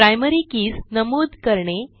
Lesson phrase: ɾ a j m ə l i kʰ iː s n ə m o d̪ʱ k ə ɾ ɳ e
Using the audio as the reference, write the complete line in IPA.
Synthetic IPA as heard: ɾ a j m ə ɾ i k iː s n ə m o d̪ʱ k ə ɾ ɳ e